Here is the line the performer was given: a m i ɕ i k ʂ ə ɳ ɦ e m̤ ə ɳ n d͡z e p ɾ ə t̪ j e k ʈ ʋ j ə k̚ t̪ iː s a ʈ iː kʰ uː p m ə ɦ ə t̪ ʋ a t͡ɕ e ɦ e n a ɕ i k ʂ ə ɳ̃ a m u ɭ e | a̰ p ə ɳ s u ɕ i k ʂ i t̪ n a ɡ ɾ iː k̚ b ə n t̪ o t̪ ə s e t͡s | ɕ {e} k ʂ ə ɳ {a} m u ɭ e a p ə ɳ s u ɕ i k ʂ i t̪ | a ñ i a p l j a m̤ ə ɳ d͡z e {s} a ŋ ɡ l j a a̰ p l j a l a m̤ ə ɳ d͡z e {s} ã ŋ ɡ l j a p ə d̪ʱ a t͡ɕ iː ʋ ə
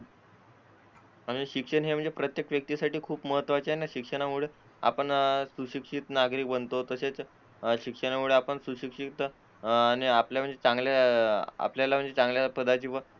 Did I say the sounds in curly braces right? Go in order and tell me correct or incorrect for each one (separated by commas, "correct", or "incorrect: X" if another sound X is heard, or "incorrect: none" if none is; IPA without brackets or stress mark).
incorrect: i, correct, incorrect: t͡s, incorrect: t͡s